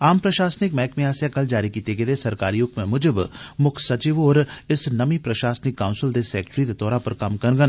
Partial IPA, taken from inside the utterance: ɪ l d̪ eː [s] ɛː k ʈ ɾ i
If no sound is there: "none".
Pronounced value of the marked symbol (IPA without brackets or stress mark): s